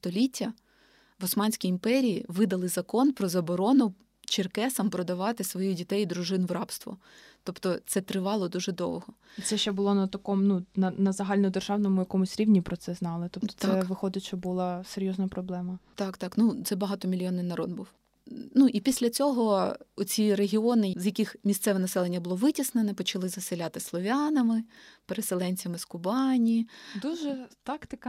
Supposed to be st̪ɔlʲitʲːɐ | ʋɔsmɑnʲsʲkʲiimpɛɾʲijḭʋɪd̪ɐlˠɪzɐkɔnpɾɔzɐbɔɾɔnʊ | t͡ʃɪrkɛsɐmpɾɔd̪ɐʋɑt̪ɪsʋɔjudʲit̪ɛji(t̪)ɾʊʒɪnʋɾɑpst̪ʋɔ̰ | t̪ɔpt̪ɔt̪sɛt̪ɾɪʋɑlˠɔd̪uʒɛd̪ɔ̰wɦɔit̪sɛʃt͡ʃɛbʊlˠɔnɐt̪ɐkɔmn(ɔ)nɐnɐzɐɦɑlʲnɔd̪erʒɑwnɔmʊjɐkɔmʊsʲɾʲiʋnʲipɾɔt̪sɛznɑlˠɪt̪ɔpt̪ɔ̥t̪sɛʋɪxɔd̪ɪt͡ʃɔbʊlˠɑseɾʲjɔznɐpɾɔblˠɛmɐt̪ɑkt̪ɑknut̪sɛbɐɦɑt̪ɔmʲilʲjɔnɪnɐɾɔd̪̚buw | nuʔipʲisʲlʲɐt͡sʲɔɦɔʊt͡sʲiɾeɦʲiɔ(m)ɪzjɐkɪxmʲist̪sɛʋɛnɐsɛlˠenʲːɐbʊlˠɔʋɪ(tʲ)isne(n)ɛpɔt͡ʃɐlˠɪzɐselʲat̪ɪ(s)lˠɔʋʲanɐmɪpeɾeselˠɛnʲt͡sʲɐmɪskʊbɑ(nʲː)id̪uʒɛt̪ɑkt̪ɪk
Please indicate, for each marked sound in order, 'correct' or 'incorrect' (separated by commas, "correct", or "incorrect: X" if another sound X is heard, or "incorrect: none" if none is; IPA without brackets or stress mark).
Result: incorrect: d̪, incorrect: u, incorrect: n, correct, correct, correct, incorrect: nʲ